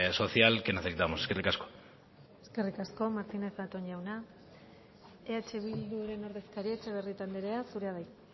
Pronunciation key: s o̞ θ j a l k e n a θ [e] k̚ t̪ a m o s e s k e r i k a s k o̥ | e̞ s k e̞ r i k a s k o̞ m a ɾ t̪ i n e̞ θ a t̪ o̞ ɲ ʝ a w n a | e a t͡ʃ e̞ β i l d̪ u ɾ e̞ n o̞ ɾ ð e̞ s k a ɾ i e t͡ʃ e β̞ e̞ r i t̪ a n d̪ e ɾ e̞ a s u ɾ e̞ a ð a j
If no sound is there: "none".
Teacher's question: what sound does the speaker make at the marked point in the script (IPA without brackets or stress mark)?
e